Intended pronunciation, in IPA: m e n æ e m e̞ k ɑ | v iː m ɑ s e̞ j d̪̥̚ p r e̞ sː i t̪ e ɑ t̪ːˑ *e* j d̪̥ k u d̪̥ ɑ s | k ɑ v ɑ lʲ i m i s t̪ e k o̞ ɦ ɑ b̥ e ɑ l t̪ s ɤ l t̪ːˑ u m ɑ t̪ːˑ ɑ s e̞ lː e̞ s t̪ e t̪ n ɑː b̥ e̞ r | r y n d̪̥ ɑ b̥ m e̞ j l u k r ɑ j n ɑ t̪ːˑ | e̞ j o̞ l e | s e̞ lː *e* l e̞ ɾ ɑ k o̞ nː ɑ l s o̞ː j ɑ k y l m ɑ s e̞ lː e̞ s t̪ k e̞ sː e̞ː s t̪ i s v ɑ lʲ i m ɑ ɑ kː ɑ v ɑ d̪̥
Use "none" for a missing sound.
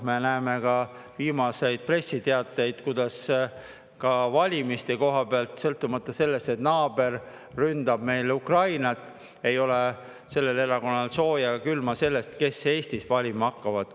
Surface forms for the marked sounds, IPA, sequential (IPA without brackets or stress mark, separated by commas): e, e